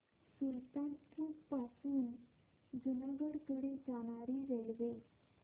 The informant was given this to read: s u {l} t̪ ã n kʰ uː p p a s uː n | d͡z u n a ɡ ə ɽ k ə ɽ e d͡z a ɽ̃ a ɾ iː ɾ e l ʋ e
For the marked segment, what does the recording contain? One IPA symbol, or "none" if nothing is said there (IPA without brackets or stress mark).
l